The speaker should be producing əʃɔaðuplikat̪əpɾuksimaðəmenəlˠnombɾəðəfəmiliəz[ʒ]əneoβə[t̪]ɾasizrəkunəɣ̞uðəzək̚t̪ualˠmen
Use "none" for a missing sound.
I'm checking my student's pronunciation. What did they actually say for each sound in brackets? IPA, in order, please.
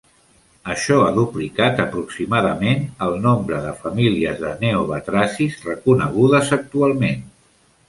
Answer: ð, t̪

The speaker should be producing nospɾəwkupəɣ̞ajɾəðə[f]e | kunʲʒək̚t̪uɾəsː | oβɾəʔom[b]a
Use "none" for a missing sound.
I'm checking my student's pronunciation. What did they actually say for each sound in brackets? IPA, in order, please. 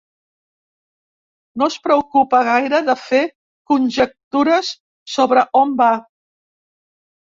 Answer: f, b

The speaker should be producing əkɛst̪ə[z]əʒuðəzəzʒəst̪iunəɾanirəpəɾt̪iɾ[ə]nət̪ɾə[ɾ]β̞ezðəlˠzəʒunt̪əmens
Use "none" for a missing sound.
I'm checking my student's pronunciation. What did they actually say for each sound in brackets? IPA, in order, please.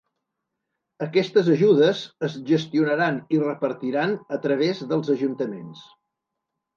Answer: z, a, none

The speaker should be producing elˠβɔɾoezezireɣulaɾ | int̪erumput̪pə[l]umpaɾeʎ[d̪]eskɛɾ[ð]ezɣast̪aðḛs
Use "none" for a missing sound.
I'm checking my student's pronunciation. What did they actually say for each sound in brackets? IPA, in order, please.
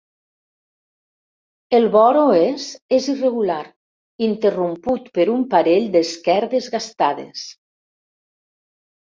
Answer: ɾ, d̪, ð

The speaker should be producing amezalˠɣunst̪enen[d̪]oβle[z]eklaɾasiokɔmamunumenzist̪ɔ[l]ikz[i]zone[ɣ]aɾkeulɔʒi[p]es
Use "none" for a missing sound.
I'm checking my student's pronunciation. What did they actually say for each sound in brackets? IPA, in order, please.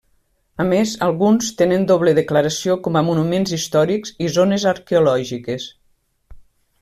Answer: d̪, ð, ɾ, i, z, k

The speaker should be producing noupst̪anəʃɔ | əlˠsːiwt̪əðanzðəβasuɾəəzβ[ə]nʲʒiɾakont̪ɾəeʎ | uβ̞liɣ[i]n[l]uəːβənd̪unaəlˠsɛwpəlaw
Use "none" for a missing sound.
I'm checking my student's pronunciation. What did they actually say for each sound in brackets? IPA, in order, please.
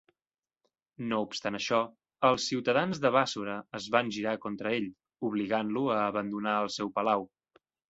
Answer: a, a, l

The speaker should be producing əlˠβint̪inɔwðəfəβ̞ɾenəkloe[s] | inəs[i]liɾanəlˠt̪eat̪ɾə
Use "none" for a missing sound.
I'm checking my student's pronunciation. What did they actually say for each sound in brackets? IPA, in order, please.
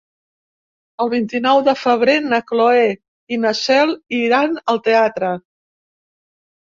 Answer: none, ɛ

